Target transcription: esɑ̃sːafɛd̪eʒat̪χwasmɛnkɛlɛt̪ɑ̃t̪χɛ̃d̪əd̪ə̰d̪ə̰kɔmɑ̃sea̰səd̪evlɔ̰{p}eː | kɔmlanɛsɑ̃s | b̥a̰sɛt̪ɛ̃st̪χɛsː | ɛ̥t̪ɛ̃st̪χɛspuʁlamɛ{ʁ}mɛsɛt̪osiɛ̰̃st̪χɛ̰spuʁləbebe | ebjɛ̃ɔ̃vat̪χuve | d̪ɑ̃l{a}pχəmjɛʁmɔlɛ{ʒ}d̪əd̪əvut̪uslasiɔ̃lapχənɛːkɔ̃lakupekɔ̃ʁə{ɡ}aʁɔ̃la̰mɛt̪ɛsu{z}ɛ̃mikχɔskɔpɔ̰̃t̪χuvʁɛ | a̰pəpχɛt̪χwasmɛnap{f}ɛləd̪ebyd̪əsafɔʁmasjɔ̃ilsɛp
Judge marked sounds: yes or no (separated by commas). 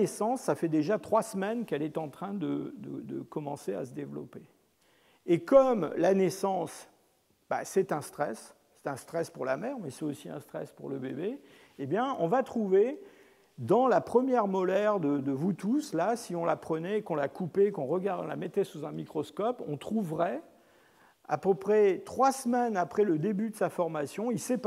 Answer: yes, yes, yes, no, yes, yes, no